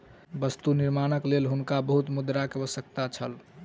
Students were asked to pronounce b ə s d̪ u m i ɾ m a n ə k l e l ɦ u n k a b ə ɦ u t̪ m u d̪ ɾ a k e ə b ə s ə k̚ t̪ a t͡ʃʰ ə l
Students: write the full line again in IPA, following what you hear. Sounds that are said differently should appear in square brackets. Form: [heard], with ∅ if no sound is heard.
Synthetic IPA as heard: b ə s [t̪] u [n] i ɾ m a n ə k l e l ɦ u n k a b ə ɦ u t̪ m u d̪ ɾ a k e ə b ə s ə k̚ t̪ a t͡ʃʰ ə l